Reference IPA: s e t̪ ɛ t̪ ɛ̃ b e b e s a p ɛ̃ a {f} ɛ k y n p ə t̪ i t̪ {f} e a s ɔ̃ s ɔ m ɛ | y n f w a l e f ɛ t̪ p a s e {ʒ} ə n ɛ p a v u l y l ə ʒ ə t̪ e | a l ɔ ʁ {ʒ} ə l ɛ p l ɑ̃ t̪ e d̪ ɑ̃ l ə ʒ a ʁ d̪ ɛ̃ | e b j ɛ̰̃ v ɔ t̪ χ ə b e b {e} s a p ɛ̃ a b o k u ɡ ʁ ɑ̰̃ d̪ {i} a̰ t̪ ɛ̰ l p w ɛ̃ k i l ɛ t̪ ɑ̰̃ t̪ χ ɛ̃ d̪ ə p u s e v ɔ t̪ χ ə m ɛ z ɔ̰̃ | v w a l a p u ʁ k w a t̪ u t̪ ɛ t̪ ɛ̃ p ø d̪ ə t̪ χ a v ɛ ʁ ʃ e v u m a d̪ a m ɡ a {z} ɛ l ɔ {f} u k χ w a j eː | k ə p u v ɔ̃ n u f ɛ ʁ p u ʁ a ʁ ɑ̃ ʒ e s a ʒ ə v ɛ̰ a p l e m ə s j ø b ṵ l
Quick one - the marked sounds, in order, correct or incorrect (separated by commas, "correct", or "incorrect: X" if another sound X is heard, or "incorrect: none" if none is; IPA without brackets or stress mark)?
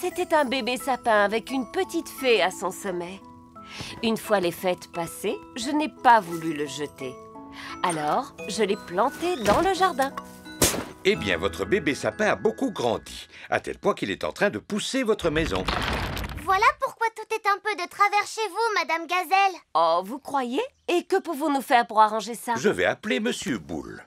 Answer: incorrect: v, correct, correct, correct, correct, correct, correct, incorrect: v